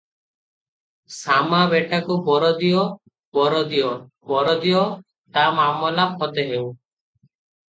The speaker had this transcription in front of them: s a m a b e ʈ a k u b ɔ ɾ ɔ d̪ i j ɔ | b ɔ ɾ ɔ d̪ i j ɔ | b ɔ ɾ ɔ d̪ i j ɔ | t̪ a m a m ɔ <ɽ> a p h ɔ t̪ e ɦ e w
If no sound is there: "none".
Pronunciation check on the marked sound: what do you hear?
l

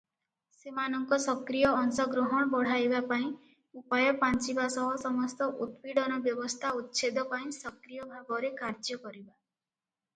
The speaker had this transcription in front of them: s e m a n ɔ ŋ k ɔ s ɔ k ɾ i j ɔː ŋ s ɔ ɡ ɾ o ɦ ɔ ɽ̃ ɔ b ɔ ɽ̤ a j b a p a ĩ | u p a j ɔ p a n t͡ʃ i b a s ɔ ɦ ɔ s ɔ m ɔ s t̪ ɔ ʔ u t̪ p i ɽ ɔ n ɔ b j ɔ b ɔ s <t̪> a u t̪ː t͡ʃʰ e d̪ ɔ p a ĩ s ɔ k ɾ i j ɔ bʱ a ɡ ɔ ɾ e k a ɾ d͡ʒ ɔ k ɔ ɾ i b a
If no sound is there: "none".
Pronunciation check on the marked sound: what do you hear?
t̪ʰ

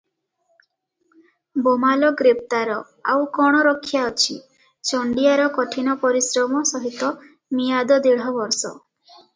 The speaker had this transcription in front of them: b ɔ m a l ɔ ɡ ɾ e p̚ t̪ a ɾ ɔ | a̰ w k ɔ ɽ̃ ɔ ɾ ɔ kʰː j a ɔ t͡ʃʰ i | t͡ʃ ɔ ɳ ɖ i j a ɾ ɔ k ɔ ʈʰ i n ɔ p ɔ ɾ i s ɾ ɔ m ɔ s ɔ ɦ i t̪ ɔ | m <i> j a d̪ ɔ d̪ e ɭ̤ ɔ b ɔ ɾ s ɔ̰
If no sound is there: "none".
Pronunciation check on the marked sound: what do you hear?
i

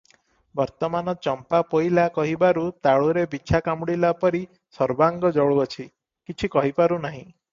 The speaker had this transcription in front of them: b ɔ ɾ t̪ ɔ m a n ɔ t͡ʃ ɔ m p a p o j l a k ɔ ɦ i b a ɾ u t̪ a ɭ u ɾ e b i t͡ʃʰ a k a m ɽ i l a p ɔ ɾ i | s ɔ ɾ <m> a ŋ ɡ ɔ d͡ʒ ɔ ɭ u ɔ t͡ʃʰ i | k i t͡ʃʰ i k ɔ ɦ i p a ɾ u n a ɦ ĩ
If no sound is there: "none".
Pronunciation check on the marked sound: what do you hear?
b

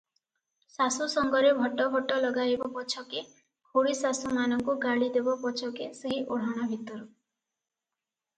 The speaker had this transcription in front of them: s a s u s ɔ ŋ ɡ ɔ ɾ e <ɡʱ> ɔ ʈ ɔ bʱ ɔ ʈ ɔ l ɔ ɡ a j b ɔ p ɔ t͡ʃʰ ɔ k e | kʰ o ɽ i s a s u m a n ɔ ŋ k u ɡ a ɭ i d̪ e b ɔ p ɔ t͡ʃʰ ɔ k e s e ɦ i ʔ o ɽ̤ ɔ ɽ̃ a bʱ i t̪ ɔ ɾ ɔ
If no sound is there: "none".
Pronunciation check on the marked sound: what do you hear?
bʱ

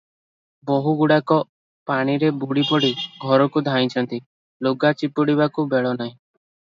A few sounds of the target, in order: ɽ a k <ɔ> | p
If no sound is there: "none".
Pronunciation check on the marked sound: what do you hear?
ɔ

